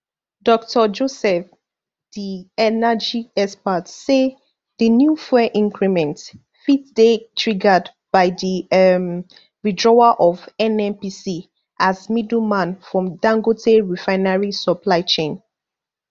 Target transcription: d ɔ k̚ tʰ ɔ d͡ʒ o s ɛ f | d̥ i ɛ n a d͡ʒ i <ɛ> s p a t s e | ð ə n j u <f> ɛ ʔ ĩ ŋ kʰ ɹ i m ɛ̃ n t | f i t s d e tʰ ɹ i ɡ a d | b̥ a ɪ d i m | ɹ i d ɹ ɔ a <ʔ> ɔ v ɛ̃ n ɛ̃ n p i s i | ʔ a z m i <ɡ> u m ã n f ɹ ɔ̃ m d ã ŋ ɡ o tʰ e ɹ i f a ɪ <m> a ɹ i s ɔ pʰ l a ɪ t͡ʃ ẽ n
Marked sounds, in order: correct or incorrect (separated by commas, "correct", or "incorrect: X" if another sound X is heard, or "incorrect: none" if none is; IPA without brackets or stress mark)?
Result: correct, correct, correct, incorrect: d, incorrect: n